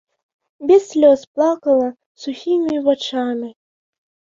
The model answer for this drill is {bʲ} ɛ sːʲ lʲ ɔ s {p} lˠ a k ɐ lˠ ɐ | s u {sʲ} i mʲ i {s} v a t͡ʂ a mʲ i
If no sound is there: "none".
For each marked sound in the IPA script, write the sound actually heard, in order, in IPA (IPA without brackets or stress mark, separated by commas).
bʲ, p, xʲ, none